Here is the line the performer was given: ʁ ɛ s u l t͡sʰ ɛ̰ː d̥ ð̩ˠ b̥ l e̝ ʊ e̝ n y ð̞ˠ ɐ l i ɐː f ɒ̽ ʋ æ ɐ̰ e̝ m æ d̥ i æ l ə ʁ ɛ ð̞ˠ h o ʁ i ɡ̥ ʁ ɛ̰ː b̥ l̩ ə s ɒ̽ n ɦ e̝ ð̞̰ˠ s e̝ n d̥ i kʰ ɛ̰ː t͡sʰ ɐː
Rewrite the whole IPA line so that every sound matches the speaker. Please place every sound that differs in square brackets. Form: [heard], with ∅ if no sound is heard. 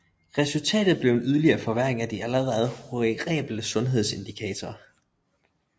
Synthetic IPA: ʁ ɛ s u l t͡sʰ ɛ̰ː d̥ ð̩ˠ b̥ l e̝ ʊ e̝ n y ð̞ˠ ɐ l i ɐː f ɒ̽ ʋ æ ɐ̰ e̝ [ŋ] æ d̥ i æ l ə ʁ ɛ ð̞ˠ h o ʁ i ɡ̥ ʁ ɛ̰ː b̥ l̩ ə s [ɔ̽] n ɦ e̝ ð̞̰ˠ s e̝ n d̥ i kʰ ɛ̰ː t͡sʰ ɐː